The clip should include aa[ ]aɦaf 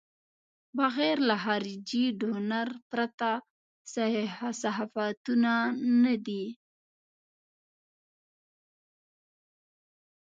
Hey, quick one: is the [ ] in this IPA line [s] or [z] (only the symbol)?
s